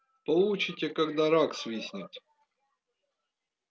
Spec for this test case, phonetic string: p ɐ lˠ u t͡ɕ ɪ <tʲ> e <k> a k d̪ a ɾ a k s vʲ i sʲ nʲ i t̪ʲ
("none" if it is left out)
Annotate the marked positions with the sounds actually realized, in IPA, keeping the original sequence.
tʲ, k

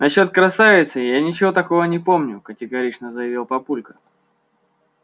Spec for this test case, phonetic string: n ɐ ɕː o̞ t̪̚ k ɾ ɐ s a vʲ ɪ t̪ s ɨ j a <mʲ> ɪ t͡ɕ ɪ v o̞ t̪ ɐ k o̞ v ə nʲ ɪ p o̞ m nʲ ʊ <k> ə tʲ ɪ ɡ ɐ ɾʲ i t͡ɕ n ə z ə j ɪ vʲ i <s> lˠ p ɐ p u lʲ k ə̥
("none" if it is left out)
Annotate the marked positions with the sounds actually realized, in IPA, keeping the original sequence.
nʲ, k, none

